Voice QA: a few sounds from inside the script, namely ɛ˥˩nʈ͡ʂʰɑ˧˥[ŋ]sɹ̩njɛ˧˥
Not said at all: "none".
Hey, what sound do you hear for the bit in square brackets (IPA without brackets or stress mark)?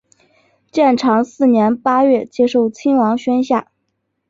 ŋ